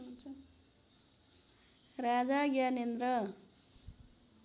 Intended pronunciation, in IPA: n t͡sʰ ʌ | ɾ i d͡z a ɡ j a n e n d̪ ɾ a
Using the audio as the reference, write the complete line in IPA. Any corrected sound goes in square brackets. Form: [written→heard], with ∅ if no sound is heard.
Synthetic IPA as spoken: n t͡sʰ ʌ | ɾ [i→a] d͡z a ɡ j a n e n d̪ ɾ [a→ʌ]